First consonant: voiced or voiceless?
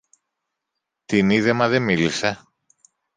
voiceless